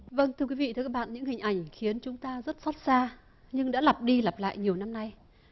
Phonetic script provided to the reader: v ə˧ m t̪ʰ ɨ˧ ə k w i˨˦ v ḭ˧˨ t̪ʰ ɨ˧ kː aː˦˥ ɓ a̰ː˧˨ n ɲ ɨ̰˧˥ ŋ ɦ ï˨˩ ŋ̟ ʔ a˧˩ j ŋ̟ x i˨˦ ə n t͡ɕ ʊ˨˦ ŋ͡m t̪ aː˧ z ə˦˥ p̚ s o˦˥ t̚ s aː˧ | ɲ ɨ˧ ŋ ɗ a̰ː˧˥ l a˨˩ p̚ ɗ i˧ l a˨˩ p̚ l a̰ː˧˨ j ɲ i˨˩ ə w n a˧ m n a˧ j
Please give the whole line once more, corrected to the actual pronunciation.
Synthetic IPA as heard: v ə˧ n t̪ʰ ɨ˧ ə k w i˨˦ v ḭ˧˨ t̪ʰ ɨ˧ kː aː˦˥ ɓ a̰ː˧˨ n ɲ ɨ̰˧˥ ŋ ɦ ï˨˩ ŋ̟ ʔ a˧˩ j ŋ̟ x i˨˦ ə n t͡ɕ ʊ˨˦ ŋ͡m t̪ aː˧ z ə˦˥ t̚ s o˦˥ t̚ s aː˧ | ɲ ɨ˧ ŋ ɗ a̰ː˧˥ l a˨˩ p̚ ɗ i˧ l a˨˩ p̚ l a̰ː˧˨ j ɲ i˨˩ ə w n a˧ m n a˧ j

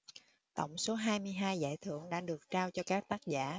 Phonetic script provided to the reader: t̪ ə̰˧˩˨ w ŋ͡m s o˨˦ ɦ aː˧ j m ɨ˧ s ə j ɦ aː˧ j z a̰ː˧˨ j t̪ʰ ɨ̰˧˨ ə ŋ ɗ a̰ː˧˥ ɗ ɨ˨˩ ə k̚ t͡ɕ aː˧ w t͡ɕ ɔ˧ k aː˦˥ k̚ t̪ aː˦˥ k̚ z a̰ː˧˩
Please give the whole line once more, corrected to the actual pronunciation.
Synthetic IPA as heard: t̪ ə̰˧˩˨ w ŋ͡m s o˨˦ ɦ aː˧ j m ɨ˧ ə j ɦ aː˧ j z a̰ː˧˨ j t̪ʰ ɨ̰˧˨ ə ŋ ɗ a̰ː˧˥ ɗ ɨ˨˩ ə k̚ t͡ɕ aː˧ w t͡ɕ ɔ˧ k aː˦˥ k̚ t̪ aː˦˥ k̚ z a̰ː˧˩

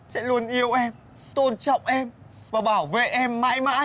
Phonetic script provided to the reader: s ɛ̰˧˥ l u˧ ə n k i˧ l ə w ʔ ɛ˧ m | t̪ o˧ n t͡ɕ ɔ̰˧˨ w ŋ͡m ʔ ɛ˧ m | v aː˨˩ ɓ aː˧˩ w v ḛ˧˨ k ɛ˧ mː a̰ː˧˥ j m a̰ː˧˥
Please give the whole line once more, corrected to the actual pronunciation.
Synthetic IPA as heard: s ɛ̰˧˥ l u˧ ə n ʔ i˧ ə w ʔ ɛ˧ m | t̪ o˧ n t͡ɕ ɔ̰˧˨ w ŋ͡m ʔ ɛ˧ m | v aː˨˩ ɓ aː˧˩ w v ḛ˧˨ ʔ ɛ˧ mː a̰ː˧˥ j m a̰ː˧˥

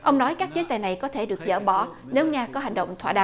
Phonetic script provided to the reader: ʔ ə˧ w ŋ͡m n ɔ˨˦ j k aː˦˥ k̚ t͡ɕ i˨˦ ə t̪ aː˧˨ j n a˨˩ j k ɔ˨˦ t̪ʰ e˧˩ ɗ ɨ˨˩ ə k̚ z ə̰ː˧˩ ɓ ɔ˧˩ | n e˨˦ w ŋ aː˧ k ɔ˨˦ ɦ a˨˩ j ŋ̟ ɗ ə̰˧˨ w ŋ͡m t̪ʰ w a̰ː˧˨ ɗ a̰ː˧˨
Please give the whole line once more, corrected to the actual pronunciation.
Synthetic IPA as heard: ʔ ə˧ w ŋ͡m n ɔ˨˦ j k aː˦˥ k̚ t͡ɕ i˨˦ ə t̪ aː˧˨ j n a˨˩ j k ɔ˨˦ t̪ʰ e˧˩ ɗ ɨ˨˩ ə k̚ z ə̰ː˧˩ ɓ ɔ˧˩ | n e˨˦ w ŋ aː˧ k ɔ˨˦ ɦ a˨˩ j ŋ̟ ɗ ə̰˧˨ w ŋ͡m t̪ʰ w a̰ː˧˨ ɗ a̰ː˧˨

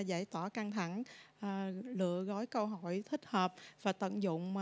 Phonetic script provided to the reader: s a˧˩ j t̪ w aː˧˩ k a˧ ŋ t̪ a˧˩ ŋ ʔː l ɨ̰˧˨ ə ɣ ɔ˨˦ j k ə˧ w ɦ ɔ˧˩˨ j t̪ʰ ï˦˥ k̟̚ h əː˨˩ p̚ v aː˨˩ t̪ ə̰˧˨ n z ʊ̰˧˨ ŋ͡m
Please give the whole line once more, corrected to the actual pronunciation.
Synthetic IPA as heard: z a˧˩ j t̪ w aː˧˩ k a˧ ŋ t̪ʰ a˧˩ ŋ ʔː l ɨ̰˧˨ ə ɣ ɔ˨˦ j k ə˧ w ɦ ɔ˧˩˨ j t̪ʰ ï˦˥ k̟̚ h əː˨˩ p̚ v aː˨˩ t̪ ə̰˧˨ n z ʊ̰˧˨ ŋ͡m

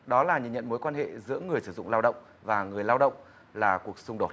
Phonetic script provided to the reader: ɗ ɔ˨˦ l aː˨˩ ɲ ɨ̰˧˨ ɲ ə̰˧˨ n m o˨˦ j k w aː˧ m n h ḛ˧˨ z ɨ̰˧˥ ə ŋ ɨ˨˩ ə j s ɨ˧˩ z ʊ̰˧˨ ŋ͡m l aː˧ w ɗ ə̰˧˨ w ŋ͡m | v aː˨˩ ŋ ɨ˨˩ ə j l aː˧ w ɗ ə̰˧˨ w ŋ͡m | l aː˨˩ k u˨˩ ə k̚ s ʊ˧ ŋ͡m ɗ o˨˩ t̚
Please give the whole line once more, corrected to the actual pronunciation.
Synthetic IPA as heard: ɗ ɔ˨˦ l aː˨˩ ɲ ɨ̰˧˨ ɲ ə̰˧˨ n m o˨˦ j k w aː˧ n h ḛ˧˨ z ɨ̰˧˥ ə ŋ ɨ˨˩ ə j s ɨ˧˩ z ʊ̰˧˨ ŋ͡m l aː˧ w ɗ ə̰˧˨ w ŋ͡m | v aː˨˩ ŋ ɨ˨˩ ə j l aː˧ w ɗ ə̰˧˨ w ŋ͡m | l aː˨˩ k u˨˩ ə k̚ s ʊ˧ ŋ͡m ɗ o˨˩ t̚

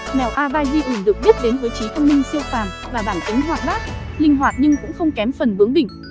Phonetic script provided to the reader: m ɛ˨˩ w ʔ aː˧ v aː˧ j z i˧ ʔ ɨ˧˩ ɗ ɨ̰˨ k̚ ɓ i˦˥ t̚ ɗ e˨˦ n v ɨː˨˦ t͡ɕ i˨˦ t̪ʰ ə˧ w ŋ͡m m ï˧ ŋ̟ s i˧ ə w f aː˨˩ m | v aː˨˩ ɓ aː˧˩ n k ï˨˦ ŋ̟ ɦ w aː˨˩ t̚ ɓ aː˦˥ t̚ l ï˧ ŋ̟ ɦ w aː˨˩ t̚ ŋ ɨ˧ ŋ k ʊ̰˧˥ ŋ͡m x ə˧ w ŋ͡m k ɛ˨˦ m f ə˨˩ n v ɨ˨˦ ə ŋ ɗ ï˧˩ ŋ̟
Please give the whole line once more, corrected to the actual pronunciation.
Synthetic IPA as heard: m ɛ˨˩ w ʔ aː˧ v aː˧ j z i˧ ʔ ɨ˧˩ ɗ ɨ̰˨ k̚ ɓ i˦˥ t̚ ɗ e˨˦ n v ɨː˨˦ t͡ɕ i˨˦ t̪ʰ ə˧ w ŋ͡m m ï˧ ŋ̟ s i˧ ə w f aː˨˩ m | v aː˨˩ ɓ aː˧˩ n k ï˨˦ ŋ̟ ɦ w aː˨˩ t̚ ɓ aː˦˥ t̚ l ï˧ ŋ̟ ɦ w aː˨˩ t̚ ɲ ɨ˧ ŋ k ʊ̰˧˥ ŋ͡m x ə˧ w ŋ͡m k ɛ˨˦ m f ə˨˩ n v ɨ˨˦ ə ŋ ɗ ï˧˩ ŋ̟

